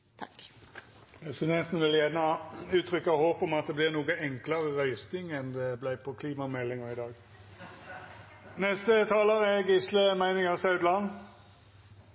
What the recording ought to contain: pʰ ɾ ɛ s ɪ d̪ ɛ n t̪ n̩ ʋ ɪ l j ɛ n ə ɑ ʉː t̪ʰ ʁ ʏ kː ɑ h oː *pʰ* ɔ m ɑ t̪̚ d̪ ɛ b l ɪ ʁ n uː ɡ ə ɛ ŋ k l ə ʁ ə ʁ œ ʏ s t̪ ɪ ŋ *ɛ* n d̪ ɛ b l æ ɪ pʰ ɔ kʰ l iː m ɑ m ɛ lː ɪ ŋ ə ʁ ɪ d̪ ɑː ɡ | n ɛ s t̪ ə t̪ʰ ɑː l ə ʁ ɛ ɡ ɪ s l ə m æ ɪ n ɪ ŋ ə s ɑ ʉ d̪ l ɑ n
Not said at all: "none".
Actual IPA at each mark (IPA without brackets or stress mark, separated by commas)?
p, ɛ